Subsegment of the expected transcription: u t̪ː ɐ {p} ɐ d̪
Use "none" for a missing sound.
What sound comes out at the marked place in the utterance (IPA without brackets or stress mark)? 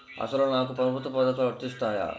p